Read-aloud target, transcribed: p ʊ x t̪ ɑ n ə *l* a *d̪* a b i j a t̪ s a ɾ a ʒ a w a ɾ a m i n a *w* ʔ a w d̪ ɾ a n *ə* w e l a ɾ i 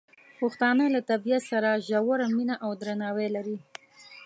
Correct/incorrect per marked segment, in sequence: correct, incorrect, incorrect, incorrect

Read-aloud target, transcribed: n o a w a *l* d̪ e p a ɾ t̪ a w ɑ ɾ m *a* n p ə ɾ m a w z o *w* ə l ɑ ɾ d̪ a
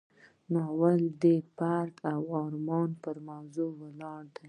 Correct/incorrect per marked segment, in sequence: correct, incorrect, correct

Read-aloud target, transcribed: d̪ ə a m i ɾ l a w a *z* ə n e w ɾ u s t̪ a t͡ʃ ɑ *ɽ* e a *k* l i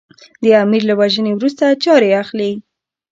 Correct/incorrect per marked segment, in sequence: incorrect, incorrect, incorrect

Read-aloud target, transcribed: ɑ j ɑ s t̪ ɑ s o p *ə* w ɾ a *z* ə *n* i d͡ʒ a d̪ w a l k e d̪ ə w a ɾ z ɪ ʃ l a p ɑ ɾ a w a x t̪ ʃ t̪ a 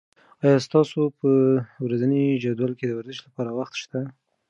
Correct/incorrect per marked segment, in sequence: correct, correct, correct

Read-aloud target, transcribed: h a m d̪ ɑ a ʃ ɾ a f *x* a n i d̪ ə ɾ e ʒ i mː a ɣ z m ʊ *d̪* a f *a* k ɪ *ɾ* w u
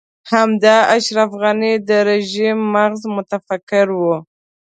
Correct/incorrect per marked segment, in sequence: incorrect, incorrect, correct, correct

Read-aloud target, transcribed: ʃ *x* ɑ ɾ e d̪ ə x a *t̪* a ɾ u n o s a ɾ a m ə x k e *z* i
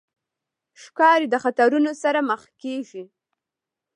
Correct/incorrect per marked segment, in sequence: incorrect, correct, incorrect

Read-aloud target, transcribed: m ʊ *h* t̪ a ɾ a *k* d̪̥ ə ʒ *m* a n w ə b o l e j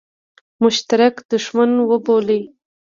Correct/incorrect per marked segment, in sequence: incorrect, correct, correct

